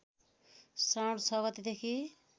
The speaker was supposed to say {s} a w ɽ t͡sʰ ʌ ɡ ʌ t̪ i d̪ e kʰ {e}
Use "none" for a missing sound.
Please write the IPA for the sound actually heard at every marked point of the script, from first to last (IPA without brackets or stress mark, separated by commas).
s, i